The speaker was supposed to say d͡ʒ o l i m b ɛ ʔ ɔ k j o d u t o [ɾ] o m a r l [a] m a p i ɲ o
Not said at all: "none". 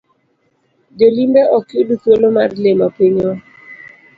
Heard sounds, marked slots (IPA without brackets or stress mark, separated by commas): l, e